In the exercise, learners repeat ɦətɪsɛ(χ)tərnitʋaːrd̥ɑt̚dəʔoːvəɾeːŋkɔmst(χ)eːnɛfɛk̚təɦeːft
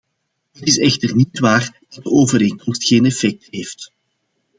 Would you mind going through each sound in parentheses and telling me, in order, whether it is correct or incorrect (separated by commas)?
incorrect, incorrect